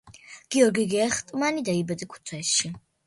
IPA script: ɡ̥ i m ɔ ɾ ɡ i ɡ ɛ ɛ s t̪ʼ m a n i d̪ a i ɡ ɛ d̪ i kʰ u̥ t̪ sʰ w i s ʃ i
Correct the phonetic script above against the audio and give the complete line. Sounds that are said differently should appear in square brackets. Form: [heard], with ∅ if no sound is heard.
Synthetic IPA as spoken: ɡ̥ i [∅] ɔ ɾ ɡ i ɡ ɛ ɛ [χ] t̪ʼ m a n i d̪ a i [b] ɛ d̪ i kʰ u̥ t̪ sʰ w [ɛ] s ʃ i